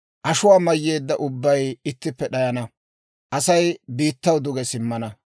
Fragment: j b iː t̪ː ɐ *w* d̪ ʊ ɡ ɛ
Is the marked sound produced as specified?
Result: yes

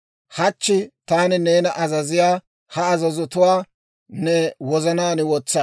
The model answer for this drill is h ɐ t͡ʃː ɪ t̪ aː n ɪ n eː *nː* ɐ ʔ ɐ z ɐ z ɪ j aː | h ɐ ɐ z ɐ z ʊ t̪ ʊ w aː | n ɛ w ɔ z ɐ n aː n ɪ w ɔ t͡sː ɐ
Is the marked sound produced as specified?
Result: no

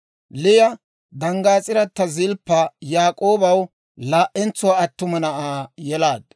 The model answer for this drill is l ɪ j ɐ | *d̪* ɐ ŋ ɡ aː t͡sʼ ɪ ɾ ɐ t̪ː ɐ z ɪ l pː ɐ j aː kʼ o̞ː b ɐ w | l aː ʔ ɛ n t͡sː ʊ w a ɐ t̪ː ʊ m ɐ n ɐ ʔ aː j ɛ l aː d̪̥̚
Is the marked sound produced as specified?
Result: yes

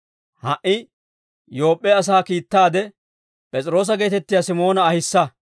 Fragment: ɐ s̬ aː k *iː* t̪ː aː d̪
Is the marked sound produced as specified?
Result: yes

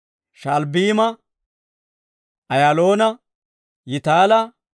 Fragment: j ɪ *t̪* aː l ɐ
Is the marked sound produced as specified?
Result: yes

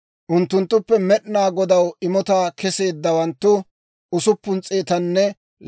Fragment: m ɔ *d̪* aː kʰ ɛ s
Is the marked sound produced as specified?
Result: no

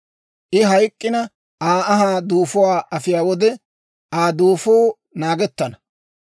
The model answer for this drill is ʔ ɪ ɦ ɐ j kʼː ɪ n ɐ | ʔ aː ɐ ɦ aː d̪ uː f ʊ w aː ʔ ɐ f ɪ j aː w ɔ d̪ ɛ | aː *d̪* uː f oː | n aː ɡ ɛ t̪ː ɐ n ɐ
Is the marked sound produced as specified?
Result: yes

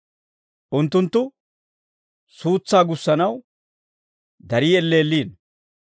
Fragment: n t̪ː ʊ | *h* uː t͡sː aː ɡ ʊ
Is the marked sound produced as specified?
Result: no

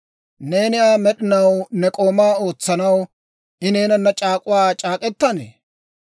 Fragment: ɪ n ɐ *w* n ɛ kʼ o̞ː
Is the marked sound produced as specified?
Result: yes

